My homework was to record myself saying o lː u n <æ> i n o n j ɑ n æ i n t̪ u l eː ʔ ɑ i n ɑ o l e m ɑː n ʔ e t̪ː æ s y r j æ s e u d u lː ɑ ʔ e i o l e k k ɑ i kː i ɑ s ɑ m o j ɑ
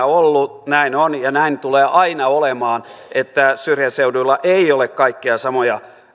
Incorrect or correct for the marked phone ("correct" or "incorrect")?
correct